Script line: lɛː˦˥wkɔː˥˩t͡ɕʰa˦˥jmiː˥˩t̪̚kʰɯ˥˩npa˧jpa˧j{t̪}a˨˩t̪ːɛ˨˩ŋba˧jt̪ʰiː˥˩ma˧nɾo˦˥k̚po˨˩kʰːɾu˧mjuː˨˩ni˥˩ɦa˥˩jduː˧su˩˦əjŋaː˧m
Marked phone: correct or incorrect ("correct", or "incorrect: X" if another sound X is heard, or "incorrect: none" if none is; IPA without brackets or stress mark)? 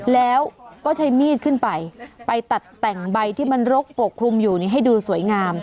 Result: correct